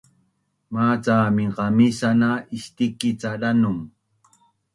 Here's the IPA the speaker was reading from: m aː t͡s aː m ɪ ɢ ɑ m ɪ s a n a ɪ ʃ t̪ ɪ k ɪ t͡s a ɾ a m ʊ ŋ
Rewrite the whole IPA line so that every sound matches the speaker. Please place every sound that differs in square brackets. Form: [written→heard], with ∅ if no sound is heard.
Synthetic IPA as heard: m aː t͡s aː m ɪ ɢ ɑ m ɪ s a n a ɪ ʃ t̪ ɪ k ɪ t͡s a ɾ a [m→n] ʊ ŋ

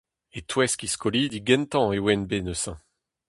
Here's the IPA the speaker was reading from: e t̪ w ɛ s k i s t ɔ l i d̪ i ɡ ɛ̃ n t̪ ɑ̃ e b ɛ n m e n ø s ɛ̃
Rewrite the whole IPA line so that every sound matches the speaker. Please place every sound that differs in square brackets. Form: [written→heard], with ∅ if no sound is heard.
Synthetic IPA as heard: e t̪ w ɛ s k i s [t→k] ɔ l i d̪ i ɡ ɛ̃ n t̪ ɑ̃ e [b→w] ɛ n [m→b] e n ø s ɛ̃

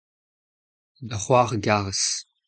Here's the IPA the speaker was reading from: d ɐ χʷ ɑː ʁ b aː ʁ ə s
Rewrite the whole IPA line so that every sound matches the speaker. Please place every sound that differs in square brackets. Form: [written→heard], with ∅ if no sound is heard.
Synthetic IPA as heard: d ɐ χʷ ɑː ʁ [b→ɡ] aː ʁ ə s

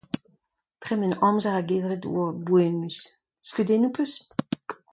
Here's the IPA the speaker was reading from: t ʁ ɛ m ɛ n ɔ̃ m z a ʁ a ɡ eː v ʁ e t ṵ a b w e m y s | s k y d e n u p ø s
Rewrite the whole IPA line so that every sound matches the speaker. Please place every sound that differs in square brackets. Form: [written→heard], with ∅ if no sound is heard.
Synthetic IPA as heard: t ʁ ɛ m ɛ n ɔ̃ m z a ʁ a ɡ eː v ʁ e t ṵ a b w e m y s | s k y d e n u p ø s

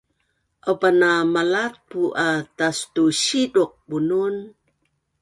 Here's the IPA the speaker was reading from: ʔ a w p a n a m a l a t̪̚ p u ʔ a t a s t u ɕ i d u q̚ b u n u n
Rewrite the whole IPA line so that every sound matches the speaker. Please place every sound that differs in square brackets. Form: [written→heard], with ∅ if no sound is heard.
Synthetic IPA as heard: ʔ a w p a n a m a l a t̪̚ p u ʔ a t a s t u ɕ i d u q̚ b u n u n

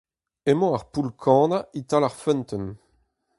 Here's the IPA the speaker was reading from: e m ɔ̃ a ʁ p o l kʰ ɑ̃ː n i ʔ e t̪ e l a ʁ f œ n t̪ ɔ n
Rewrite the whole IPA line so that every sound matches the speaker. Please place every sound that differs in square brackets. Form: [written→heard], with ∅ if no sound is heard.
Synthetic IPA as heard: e m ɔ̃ a ʁ p [o→u] l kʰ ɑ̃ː n [i→a] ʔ [e→i] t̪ [e→a] l a ʁ f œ n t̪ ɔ n

